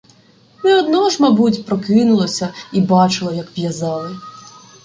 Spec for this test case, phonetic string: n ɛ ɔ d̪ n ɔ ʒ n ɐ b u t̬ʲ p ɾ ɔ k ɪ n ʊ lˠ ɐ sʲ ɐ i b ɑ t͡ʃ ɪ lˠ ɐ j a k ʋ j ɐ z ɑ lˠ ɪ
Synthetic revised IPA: n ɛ ɔ d̪ n ɔ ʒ m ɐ b u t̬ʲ p ɾ ɔ k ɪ n ʊ lˠ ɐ sʲ ɐ i b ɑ t͡ʃ ɪ lˠ ɐ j ɐ k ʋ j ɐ z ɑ lˠ ɪ